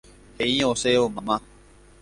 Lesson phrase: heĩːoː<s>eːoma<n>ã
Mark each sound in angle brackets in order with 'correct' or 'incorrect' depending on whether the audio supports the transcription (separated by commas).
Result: correct, incorrect